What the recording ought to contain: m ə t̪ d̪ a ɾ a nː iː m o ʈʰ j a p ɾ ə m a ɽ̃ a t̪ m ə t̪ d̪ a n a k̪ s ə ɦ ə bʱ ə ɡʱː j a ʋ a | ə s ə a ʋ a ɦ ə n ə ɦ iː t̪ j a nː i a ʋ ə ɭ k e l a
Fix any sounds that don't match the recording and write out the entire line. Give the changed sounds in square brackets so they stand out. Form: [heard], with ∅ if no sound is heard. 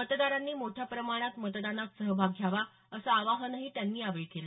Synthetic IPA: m ə t̪ d̪ a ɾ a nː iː m o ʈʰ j a p ɾ ə m a ɽ̃ a t̪ m ə t̪ d̪ a n a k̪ s ə ɦ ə bʱ [a] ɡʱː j a ʋ a | ə s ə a ʋ a ɦ ə n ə ɦ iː t̪ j a nː [iː] a ʋ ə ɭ k e l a